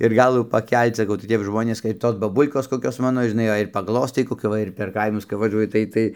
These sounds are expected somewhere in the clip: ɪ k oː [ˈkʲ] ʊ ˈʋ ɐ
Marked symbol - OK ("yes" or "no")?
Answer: yes